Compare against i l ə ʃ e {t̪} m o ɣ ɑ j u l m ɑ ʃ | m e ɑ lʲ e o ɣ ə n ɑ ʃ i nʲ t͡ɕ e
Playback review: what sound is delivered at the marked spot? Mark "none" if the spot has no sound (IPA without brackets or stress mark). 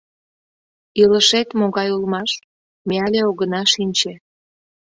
t̪